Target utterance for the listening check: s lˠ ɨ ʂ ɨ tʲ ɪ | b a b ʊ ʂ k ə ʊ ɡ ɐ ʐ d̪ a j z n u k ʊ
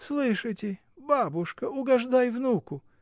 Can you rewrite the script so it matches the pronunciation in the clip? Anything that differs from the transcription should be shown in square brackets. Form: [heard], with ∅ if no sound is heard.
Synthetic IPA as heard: s lˠ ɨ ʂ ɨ tʲ ɪ | b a b ʊ ʂ k ə ʊ ɡ ɐ ʐ d̪ a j [v] n u k ʊ